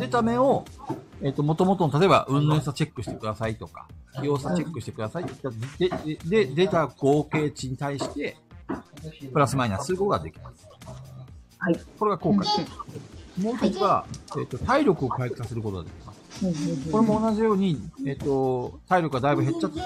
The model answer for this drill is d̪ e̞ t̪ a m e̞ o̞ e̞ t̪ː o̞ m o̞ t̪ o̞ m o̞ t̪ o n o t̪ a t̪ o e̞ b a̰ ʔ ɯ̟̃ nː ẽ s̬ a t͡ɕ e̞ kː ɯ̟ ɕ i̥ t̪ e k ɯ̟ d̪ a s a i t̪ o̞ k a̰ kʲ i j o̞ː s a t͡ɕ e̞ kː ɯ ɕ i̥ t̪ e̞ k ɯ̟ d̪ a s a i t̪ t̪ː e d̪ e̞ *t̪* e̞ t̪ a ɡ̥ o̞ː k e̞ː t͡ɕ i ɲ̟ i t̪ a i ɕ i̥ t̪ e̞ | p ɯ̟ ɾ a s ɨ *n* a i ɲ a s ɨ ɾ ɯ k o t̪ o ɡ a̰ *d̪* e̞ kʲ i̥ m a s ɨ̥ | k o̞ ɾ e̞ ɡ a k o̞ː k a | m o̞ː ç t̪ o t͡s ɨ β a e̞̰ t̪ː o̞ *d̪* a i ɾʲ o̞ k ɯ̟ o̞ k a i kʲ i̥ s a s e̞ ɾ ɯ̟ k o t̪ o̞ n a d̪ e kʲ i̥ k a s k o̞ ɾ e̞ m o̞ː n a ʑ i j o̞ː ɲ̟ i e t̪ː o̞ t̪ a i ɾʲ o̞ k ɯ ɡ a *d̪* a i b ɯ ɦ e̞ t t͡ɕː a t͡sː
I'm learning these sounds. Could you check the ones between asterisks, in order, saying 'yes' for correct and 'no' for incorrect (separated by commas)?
no, no, yes, no, yes